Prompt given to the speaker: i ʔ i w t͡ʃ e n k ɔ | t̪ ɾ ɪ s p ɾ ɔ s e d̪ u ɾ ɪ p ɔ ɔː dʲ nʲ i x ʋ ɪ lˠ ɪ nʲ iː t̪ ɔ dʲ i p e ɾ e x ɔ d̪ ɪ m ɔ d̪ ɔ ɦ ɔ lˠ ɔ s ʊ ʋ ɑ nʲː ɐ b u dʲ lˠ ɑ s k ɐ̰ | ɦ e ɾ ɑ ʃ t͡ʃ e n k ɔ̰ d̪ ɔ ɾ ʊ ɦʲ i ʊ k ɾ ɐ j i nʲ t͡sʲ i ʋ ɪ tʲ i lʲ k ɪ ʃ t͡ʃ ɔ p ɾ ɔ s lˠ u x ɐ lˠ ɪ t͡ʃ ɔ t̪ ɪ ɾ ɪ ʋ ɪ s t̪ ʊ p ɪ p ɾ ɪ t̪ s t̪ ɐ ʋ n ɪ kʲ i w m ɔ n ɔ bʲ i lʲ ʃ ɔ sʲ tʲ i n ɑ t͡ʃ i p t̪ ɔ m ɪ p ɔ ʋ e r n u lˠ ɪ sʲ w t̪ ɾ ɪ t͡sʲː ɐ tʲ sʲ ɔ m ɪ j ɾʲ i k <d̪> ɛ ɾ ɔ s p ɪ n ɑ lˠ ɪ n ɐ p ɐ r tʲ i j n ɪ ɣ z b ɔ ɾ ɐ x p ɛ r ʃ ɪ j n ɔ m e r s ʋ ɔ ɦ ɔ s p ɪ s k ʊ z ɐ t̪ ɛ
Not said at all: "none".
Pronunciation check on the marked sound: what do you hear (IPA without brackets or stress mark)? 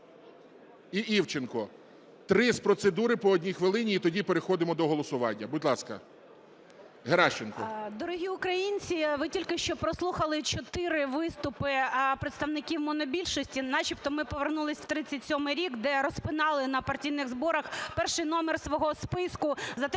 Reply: d̪